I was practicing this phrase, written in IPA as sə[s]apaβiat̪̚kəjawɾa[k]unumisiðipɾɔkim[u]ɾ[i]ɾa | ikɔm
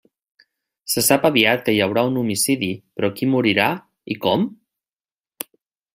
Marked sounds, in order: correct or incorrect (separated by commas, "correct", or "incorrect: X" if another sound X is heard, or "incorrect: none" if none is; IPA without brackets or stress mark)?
correct, incorrect: none, correct, correct